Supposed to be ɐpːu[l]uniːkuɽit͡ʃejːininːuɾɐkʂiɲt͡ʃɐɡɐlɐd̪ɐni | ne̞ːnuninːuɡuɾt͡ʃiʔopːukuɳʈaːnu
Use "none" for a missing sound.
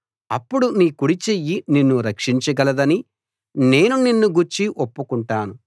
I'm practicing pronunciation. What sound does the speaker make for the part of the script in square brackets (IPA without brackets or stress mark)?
ɽ